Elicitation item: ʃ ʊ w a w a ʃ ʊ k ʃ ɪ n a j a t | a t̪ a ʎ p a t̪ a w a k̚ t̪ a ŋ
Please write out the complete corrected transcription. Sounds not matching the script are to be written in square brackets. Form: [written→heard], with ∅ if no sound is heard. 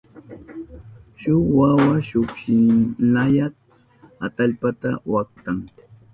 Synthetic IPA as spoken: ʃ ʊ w a w a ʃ ʊ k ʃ ɪ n a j a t | a t̪ a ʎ p a t̪ a w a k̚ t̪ a ŋ